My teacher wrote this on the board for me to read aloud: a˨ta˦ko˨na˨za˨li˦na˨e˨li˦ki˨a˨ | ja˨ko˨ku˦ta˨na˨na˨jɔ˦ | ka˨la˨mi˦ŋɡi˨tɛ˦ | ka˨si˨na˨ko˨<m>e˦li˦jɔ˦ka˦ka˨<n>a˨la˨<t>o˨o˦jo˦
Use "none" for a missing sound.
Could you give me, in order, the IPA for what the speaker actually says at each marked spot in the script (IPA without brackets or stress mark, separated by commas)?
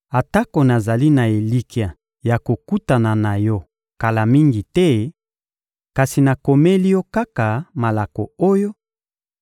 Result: m, m, k